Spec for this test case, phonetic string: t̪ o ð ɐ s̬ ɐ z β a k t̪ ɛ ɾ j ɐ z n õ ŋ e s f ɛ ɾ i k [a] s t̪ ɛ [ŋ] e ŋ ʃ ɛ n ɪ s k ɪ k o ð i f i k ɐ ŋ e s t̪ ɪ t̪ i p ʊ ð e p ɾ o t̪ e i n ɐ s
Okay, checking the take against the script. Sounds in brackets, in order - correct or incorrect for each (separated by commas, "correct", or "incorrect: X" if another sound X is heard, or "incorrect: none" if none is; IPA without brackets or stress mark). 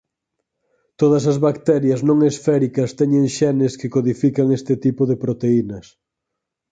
incorrect: ɐ, incorrect: ɲ